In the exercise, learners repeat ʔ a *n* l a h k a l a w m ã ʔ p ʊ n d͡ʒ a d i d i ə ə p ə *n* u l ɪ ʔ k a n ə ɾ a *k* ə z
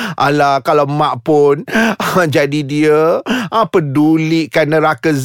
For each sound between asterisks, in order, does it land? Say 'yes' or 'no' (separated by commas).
no, no, yes